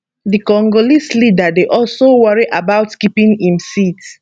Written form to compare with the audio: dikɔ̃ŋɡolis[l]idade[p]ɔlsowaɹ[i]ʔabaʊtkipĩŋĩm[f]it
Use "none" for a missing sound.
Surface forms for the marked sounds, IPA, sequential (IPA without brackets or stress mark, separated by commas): l, ʔ, i, s